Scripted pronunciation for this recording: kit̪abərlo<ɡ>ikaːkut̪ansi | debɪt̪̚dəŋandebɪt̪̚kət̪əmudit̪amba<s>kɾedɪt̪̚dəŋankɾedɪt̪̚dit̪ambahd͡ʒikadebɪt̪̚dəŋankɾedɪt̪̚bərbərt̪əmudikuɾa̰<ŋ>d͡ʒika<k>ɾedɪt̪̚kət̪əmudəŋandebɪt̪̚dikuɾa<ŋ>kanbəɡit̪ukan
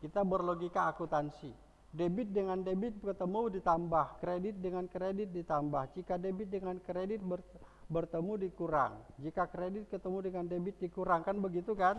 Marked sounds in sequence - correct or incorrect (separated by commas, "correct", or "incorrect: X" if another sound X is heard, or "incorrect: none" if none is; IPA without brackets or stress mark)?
correct, incorrect: h, correct, correct, correct